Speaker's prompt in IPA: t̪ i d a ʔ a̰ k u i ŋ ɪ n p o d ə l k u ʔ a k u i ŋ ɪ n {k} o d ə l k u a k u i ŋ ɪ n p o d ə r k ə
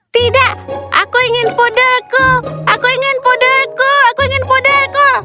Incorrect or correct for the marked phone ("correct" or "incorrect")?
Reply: incorrect